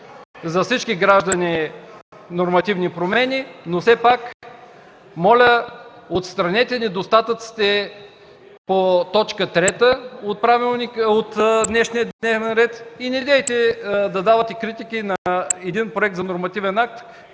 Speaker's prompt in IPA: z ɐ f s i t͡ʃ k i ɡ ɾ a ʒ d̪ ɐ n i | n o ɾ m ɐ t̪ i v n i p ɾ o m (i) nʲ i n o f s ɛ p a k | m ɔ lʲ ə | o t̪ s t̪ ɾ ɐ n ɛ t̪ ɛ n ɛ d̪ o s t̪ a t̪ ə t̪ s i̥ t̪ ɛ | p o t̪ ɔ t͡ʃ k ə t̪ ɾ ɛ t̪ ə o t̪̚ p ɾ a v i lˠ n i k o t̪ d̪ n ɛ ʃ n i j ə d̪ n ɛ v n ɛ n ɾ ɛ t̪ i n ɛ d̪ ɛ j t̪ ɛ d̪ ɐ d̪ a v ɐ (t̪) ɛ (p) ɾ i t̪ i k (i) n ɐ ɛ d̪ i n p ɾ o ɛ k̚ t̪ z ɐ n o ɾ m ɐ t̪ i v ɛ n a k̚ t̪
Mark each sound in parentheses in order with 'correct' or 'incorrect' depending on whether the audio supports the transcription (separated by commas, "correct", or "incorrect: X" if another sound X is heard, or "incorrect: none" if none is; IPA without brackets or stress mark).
incorrect: ɛ, correct, incorrect: k, correct